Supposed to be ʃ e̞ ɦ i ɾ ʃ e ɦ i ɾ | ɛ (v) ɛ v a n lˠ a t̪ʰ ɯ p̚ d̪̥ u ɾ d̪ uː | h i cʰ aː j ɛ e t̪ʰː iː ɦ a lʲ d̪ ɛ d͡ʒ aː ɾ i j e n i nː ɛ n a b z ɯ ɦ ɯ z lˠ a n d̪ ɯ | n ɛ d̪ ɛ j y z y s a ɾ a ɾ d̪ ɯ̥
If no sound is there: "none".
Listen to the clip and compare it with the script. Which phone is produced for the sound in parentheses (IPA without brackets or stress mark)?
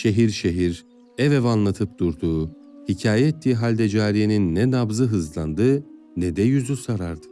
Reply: v